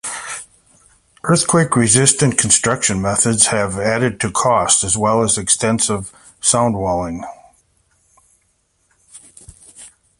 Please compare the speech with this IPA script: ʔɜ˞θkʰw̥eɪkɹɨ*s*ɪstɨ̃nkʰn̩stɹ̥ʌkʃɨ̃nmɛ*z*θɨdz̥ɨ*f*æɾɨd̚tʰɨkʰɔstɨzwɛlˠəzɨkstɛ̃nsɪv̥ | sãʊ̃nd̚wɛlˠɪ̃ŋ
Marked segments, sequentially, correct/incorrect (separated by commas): incorrect, incorrect, incorrect